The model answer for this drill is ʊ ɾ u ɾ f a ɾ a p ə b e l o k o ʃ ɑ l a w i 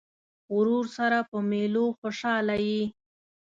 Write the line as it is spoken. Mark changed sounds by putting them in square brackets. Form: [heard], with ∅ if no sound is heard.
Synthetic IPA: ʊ ɾ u ɾ [s] a ɾ a p ə [m] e l o [x] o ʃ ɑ l a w i